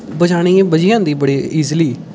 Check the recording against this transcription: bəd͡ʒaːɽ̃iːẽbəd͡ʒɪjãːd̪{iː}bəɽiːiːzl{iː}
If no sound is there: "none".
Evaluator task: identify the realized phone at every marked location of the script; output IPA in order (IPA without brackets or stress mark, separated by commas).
iː, iː